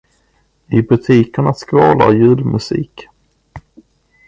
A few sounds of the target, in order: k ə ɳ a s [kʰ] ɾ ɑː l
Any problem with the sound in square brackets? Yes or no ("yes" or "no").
yes